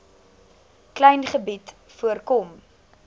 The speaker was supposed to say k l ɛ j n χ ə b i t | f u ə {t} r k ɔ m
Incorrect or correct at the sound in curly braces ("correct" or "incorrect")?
incorrect